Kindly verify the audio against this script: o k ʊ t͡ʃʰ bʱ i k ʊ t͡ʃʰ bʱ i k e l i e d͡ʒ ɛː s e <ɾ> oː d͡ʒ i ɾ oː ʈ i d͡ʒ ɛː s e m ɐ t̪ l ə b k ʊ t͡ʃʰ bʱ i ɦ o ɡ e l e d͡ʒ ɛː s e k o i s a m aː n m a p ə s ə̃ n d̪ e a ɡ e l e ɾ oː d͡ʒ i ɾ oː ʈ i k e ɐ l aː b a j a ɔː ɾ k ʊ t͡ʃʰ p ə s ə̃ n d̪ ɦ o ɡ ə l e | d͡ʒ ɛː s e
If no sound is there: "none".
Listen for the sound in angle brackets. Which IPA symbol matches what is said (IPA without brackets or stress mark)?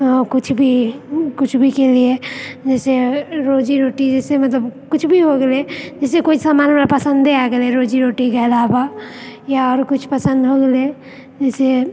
ɾ